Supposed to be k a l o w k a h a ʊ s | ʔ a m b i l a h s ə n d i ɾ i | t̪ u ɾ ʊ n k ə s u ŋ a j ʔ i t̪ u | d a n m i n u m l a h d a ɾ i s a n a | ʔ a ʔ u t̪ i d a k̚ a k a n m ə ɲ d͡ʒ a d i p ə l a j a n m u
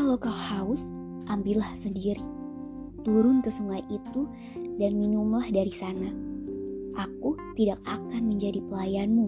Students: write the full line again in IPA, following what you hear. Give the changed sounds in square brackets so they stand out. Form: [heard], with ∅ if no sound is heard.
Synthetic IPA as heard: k a l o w k a h a ʊ s | ʔ a m b i l a h s ə n d i ɾ i | t̪ u ɾ ʊ n k ə s u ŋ a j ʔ i t̪ u | d a n m i n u m l a h d a ɾ i s a n a | ʔ a [k] u t̪ i d a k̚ a k a n m ə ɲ d͡ʒ a d i p ə l a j a n m u